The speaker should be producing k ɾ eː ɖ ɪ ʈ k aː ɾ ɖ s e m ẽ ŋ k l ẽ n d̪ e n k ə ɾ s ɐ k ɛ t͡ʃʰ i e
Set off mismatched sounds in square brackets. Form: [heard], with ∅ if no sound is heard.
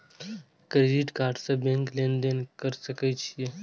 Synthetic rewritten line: k ɾ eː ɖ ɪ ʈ k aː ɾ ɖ s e [b] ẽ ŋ k l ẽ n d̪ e n k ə ɾ s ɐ k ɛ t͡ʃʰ i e